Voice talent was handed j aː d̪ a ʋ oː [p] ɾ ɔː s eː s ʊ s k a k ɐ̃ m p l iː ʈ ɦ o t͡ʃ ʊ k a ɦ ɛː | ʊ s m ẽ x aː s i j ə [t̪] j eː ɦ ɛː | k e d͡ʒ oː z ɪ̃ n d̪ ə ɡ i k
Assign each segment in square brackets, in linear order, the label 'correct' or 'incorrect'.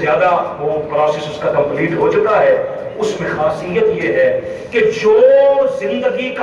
correct, correct

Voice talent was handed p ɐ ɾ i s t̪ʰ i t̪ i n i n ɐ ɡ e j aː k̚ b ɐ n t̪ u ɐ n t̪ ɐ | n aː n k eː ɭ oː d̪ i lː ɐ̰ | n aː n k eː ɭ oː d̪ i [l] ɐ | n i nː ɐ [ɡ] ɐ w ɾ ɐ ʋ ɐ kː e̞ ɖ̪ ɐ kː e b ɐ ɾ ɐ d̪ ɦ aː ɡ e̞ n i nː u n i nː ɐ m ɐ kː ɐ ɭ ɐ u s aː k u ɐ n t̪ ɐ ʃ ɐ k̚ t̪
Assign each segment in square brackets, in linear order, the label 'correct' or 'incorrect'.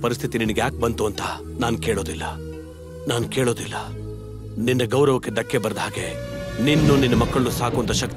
incorrect, correct

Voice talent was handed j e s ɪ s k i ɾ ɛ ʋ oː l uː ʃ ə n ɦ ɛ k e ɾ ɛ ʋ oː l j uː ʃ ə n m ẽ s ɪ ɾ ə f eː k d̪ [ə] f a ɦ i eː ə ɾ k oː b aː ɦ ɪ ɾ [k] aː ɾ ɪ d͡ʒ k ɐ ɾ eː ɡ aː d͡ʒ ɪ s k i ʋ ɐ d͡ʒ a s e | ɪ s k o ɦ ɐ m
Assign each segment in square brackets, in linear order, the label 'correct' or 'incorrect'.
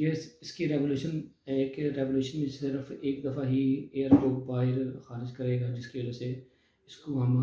incorrect, incorrect

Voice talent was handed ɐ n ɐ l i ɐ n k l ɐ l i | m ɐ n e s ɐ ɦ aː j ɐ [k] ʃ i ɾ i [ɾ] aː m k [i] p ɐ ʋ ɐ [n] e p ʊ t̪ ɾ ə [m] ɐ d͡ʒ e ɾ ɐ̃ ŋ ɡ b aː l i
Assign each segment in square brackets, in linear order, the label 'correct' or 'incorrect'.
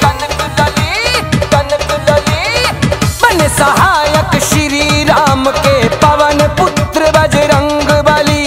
correct, correct, incorrect, correct, incorrect

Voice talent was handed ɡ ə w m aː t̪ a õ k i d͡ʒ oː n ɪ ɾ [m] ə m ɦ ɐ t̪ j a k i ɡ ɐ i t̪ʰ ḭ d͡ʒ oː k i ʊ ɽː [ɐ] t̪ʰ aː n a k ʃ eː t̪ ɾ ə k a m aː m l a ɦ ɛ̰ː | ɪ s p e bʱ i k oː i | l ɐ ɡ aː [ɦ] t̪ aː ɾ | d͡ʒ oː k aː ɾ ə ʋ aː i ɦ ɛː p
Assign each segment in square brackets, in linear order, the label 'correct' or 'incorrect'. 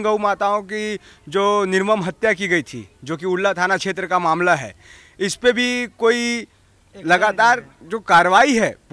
correct, incorrect, incorrect

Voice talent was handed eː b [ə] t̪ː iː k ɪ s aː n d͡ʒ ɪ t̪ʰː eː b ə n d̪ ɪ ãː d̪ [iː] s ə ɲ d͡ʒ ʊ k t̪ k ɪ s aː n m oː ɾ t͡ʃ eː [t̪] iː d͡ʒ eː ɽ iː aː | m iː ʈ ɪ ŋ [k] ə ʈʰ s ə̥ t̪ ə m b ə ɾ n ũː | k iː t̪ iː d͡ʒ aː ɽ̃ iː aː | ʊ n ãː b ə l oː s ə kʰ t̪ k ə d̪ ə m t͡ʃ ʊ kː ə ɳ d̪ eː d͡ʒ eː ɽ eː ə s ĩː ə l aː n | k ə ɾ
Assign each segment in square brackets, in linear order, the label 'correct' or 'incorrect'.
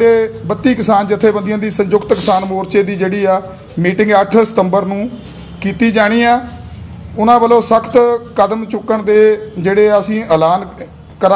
correct, correct, incorrect, incorrect

